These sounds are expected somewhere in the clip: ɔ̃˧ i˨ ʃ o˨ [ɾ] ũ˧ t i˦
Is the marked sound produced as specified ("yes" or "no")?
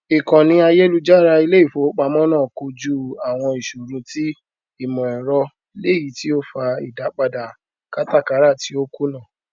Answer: yes